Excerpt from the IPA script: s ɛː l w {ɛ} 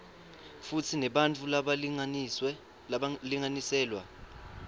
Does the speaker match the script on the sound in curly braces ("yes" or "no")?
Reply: no